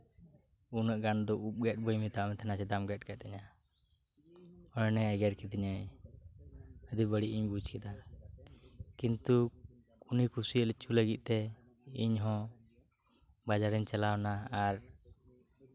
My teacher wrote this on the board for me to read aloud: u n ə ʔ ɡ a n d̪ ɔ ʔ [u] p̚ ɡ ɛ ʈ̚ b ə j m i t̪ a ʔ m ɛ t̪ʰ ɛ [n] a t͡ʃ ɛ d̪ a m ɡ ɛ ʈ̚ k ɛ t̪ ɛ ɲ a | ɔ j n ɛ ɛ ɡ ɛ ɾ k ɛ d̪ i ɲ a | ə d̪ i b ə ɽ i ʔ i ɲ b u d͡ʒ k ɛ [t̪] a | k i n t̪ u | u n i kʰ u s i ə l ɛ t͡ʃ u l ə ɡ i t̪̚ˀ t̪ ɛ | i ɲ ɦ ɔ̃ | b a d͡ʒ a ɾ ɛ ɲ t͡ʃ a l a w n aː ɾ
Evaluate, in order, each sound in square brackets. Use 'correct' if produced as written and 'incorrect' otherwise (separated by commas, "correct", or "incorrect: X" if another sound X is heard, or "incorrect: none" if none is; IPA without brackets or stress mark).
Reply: correct, correct, incorrect: d̪